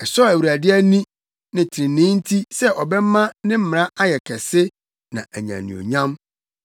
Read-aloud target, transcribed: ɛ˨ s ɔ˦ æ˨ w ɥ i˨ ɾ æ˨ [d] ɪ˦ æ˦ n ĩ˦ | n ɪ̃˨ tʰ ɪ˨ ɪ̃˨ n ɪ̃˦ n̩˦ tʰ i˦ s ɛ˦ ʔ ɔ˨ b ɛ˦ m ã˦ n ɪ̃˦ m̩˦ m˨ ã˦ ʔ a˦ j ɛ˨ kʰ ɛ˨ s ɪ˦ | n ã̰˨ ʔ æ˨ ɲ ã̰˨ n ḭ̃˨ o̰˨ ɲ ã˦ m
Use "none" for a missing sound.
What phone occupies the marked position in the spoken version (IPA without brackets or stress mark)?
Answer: d